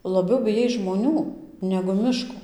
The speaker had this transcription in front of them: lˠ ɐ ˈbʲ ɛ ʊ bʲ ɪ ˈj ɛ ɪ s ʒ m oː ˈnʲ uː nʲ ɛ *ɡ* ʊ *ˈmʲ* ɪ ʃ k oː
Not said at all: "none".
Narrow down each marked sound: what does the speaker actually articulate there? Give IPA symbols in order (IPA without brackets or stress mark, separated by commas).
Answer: ɡ, mʲ